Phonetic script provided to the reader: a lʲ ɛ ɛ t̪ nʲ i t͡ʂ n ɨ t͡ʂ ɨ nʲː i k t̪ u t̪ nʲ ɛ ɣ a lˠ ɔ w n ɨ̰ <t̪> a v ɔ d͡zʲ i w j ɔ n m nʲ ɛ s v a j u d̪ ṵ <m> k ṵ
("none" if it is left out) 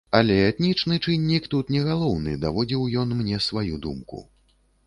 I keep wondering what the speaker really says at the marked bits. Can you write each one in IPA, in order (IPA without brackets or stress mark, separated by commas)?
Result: d̪, m